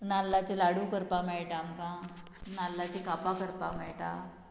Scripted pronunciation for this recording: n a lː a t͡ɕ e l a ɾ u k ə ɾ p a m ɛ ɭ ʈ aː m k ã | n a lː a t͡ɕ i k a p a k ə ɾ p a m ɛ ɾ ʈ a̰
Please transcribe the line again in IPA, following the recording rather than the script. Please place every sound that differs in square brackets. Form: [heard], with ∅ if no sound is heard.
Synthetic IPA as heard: n a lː a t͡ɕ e l a [ɽ] u k ə ɾ p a m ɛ ɭ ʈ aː m k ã | n a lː a t͡ɕ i k a p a k ə ɾ p a m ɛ [ɭ] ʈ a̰